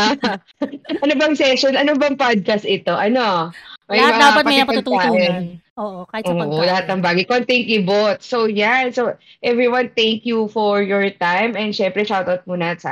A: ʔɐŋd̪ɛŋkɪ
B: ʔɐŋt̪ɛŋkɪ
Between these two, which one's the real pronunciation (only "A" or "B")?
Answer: B